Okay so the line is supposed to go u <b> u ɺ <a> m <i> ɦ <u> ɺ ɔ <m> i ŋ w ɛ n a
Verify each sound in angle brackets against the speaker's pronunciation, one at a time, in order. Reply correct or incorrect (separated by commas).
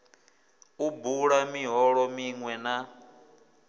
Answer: correct, correct, correct, incorrect, correct